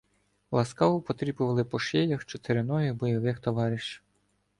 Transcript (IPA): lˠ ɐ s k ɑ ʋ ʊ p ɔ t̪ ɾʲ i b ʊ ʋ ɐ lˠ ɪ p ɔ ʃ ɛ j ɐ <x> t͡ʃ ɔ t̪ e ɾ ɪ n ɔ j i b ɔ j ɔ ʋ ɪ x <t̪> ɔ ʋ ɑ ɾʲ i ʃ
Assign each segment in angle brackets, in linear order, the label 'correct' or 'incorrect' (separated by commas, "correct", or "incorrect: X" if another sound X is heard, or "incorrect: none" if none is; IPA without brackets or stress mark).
correct, correct